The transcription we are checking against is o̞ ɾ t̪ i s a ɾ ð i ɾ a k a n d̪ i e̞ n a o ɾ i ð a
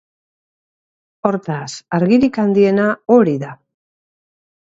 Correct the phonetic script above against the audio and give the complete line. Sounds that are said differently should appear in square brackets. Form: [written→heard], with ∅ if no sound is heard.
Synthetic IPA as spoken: o̞ ɾ t̪ [i→a] s a ɾ [ð→ɣ] i ɾ [a→i] k a n d̪ i e̞ n a o ɾ i ð a